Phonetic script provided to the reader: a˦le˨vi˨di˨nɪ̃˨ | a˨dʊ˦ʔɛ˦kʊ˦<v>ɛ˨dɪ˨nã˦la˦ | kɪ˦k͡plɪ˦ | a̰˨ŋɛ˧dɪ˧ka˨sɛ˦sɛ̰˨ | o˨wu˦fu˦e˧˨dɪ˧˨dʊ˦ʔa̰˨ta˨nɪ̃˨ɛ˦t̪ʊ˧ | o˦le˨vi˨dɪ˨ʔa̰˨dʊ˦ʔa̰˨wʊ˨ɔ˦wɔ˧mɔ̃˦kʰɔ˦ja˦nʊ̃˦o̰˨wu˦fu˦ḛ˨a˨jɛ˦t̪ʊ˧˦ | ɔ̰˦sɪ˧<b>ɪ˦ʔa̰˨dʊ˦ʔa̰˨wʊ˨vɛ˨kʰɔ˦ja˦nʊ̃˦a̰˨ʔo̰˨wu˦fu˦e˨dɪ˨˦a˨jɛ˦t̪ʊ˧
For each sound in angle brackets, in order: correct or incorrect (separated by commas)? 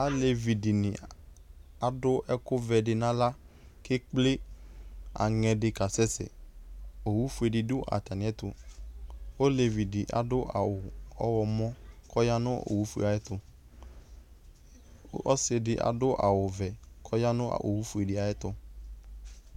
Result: correct, incorrect